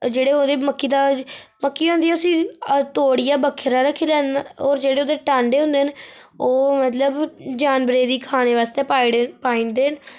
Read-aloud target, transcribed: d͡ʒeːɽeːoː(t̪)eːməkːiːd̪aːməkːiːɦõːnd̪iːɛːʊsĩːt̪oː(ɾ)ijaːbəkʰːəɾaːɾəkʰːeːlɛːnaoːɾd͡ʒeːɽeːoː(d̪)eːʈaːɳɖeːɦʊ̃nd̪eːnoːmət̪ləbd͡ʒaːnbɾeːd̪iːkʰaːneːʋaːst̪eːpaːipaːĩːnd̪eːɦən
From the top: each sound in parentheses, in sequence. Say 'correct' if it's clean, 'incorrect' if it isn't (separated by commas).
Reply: incorrect, incorrect, correct